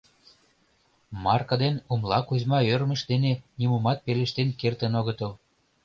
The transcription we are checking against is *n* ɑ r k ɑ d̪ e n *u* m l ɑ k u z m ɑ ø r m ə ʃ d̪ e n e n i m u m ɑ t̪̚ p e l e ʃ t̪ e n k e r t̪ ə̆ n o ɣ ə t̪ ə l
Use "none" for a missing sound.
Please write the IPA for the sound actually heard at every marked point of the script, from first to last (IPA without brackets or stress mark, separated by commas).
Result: m, u